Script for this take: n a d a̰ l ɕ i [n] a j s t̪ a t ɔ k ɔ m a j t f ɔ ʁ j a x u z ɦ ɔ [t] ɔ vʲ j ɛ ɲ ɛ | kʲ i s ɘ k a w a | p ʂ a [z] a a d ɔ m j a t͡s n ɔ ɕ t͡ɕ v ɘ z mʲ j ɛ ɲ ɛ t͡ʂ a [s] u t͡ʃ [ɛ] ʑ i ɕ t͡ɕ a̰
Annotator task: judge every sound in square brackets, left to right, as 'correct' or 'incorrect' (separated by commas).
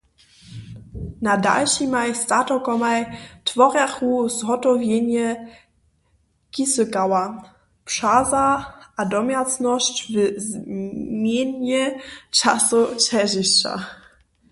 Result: incorrect, correct, correct, correct, correct